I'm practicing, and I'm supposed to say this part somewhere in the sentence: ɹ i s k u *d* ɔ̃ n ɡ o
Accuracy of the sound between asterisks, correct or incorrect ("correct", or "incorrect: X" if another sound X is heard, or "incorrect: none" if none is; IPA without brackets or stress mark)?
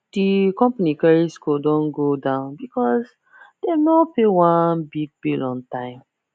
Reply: correct